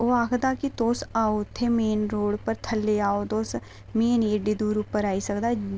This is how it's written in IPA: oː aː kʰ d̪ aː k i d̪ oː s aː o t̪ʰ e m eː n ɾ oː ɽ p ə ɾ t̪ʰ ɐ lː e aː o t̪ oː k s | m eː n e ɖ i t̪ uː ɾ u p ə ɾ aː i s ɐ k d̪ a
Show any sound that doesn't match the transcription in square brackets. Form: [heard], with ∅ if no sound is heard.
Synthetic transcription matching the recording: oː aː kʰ d̪ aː k i [t̪] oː s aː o t̪ʰ e m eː n ɾ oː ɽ p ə ɾ t̪ʰ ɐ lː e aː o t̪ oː [∅] s | m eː n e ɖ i [d̪] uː ɾ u p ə ɾ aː i s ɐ k d̪ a